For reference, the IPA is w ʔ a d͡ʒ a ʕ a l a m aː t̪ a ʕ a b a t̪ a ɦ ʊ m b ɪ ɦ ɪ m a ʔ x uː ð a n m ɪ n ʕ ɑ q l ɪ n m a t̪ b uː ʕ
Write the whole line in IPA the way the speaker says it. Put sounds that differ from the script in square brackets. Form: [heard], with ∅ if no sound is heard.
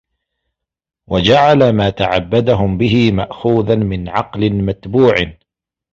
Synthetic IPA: w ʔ a d͡ʒ a ʕ a l a m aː t̪ a ʕ a [bː] a [d̪] a ɦ ʊ m b ɪ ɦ ɪ m a ʔ x uː ð a n m ɪ n ʕ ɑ q l ɪ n m a t̪ b uː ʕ